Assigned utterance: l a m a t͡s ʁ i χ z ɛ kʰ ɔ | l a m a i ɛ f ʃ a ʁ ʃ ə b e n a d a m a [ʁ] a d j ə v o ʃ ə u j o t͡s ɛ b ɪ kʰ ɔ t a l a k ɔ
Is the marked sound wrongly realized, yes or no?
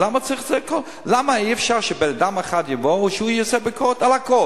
yes